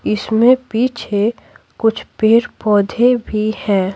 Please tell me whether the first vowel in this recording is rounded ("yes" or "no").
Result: no